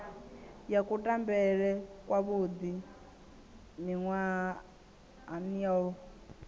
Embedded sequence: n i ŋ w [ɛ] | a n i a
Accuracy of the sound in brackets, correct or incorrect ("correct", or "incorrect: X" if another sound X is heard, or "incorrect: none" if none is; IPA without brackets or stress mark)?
incorrect: a